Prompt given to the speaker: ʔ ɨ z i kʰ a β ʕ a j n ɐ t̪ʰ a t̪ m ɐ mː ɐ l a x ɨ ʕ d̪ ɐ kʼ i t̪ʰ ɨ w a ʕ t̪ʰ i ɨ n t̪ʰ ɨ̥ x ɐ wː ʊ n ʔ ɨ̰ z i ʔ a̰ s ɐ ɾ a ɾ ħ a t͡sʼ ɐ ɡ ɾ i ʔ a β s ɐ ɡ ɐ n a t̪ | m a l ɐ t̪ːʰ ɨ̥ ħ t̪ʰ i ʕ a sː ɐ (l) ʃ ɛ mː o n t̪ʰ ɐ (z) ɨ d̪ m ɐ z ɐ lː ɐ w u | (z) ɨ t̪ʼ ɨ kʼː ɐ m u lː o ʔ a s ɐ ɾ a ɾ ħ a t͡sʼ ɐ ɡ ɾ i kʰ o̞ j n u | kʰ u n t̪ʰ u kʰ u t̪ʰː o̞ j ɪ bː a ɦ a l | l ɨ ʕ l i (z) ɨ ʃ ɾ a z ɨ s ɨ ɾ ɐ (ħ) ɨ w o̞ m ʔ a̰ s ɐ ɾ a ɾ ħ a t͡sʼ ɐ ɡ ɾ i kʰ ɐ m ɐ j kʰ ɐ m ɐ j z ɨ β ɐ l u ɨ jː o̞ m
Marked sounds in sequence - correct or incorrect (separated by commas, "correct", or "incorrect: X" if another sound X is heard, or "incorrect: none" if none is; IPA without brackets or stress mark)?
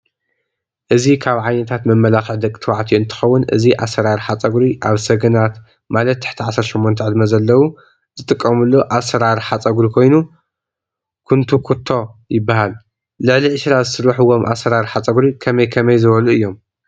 incorrect: ɾ, incorrect: ʕ, correct, incorrect: ʕ, correct